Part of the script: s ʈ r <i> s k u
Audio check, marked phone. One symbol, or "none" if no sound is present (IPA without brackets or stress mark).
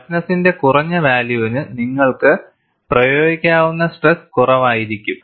e